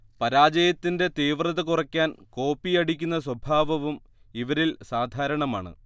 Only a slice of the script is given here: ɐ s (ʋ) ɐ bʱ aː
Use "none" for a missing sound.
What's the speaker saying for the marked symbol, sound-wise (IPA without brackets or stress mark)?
w